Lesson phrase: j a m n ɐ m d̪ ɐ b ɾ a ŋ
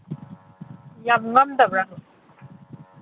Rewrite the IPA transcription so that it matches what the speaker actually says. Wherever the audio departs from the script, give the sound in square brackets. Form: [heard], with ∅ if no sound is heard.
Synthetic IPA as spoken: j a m [ŋ] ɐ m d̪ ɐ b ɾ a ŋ